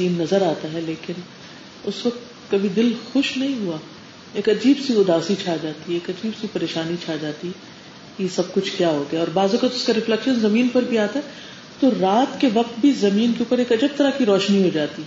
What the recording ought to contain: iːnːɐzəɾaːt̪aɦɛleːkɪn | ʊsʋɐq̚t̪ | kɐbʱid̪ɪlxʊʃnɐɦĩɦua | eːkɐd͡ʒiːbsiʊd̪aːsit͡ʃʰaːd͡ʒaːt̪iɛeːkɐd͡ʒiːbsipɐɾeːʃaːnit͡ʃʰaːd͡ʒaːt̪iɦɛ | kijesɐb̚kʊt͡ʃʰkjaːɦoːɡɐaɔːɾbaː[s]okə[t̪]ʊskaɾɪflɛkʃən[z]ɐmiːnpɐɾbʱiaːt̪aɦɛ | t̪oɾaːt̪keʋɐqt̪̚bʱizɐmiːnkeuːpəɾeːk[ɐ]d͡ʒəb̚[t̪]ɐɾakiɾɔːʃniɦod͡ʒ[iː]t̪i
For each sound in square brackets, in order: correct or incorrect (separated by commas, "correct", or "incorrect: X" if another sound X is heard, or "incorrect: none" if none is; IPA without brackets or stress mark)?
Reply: incorrect: z, correct, correct, correct, correct, incorrect: aː